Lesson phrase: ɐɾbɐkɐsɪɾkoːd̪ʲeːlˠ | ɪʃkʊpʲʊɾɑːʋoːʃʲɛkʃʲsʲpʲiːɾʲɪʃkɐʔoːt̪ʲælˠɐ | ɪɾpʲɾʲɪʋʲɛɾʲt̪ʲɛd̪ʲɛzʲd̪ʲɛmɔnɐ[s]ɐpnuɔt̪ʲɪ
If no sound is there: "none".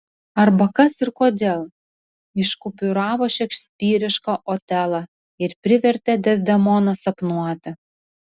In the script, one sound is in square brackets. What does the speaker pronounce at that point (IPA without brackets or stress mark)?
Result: s